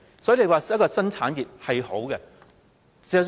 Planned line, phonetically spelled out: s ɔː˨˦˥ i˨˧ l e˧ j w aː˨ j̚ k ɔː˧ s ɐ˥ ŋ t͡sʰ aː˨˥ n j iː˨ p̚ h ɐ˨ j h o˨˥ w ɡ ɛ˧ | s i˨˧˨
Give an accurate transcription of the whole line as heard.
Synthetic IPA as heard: s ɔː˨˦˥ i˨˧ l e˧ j w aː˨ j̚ k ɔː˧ s ɐ˥ n t͡sʰ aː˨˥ n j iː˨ p̚ h ɐ˨ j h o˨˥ w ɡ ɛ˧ | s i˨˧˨